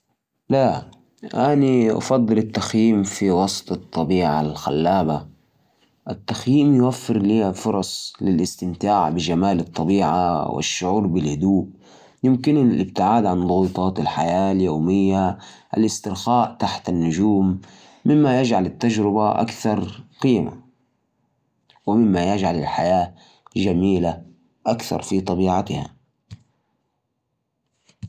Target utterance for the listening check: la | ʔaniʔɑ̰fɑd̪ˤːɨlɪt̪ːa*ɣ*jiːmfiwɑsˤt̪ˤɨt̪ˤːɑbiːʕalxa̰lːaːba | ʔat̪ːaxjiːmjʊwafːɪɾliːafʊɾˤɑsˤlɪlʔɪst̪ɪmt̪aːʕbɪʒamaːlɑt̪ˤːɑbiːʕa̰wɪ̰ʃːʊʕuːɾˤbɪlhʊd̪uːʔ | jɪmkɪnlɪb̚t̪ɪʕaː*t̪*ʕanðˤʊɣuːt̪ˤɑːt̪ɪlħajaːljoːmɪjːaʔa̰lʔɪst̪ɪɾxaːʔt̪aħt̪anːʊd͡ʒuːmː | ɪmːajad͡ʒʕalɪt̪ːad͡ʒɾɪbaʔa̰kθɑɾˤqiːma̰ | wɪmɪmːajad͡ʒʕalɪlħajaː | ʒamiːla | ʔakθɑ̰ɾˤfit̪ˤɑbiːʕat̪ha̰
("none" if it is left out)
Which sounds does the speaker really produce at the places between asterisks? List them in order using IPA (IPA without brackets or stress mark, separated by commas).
x, d̪